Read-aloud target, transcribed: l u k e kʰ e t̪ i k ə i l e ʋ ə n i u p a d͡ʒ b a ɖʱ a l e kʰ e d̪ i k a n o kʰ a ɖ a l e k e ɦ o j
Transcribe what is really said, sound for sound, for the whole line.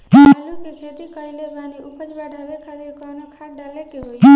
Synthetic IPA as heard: l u k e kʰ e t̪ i k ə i l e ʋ a n i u p ə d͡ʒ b a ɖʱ a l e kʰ a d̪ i k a n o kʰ a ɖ a l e k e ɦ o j